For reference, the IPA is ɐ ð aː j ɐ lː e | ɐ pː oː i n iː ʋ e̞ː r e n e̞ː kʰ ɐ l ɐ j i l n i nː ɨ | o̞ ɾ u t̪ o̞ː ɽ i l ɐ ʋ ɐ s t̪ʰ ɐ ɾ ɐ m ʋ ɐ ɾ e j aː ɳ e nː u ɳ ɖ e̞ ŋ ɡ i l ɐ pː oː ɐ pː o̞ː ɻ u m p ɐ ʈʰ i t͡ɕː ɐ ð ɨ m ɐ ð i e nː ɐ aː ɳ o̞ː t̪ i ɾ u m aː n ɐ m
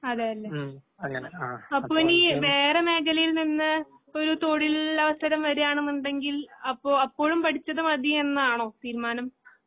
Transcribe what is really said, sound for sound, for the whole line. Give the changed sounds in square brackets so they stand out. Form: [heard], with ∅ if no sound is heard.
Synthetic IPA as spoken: ɐ ð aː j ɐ lː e | ɐ pː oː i n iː ʋ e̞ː r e [m] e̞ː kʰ ɐ l ɐ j i l n i nː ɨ | o̞ ɾ u t̪ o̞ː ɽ i l ɐ ʋ ɐ s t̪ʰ ɐ ɾ ɐ m ʋ ɐ ɾ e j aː ɳ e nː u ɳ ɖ e̞ ŋ ɡ i l ɐ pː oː ɐ pː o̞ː ɻ u m p ɐ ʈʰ i t͡ɕː ɐ ð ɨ m ɐ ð i e nː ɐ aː ɳ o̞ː t̪ [iː] ɾ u m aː n ɐ m